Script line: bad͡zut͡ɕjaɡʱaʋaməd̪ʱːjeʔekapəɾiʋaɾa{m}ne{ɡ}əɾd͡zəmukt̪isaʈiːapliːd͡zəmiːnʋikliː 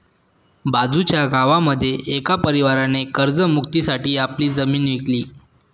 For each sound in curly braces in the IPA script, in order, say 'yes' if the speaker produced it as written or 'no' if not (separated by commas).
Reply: no, no